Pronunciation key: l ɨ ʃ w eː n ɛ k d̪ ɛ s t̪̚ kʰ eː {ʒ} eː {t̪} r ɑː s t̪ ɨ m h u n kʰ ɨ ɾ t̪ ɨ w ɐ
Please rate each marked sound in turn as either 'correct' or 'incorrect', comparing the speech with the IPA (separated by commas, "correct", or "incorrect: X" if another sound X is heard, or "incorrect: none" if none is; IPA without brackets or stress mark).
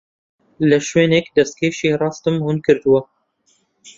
incorrect: ʃ, incorrect: none